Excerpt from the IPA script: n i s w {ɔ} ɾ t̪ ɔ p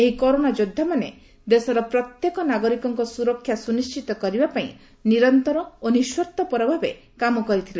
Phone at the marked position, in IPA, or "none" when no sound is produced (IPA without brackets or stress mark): ɔ